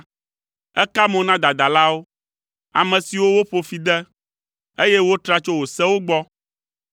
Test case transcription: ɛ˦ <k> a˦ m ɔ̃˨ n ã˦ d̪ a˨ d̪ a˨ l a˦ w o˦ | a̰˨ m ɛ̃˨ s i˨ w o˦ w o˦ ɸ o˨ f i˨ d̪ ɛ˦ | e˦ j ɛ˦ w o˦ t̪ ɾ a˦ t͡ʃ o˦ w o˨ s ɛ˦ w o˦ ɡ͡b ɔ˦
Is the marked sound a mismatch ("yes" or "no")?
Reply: no